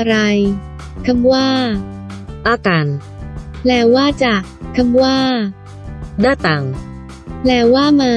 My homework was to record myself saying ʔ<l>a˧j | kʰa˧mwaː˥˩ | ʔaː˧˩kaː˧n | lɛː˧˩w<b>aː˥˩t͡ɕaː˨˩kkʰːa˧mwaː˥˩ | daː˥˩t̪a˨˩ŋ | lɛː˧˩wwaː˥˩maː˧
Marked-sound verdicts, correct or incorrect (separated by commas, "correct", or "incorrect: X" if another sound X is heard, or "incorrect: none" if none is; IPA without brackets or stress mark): incorrect: ɾ, incorrect: w